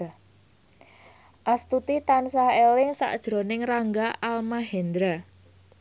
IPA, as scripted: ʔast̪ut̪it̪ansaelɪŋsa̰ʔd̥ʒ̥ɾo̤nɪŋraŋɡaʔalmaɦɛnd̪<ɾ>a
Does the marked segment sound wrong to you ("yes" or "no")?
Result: no